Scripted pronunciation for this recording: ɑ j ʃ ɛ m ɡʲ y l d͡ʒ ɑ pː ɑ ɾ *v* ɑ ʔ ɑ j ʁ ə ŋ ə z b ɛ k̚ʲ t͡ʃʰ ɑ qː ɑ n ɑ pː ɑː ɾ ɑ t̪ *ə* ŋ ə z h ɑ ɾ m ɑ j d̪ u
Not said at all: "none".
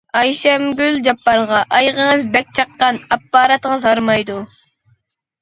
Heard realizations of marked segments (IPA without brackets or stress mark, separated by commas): ʁ, ə